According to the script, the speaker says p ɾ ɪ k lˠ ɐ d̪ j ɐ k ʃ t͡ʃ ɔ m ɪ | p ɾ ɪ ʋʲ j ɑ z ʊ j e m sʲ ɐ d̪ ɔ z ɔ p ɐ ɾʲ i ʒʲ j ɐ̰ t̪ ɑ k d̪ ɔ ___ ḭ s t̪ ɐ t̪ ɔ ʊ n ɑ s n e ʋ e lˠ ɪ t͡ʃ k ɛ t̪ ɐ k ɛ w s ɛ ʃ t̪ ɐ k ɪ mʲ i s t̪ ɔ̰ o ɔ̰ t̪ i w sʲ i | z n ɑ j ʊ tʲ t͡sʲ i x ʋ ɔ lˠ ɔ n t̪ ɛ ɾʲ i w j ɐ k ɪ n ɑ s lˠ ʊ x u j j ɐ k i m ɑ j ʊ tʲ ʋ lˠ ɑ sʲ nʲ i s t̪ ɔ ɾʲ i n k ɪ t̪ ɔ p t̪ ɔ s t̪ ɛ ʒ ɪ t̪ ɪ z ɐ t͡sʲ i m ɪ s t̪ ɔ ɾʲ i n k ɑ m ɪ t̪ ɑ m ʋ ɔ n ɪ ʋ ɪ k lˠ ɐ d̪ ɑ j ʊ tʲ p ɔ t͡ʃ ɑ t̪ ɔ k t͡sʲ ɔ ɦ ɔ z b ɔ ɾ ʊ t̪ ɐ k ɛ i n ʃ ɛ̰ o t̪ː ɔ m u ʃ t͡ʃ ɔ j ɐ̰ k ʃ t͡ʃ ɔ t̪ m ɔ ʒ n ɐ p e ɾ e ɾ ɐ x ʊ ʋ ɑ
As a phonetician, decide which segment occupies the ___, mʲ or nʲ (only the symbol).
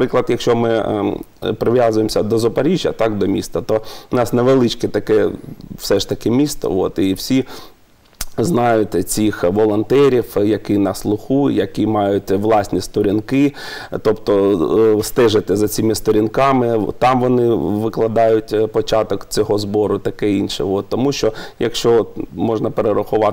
mʲ